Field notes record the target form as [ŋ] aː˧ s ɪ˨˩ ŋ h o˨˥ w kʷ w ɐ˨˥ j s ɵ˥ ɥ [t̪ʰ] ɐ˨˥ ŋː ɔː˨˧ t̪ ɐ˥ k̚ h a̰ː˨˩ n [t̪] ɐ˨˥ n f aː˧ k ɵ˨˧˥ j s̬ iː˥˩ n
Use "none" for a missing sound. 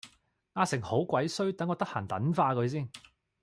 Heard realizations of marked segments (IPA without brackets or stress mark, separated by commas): ŋ, t̪, t̪